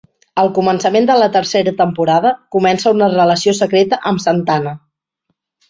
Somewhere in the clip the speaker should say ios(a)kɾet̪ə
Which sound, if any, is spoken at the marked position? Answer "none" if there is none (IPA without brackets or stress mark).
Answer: ə